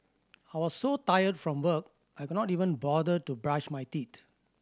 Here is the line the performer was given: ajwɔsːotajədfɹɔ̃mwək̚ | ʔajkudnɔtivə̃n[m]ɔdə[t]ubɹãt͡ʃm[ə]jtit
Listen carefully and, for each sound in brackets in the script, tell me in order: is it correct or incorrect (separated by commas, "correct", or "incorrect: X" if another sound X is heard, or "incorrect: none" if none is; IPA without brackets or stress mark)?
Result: incorrect: b, correct, incorrect: a